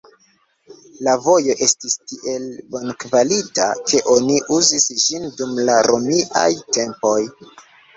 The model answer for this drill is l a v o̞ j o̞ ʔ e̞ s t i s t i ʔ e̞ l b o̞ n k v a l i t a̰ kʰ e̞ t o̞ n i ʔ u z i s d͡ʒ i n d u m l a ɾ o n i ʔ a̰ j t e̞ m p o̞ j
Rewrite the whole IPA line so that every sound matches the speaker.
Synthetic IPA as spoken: l a v o̞ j o̞ ʔ e̞ s t i s t i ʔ e̞ l b o̞ n k v a l i t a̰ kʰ e̞ ʔ o̞ n i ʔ u z i s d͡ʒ i n d u m l a ɾ o m i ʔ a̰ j t e̞ m p o̞ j